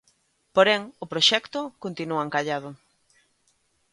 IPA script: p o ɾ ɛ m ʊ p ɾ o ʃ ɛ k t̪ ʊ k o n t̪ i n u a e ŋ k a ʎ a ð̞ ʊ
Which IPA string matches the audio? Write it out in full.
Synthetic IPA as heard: p o ɾ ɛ ŋ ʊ p ɾ o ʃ ɛ k t̪ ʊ k o n t̪ i n u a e ŋ k a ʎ a ð̞ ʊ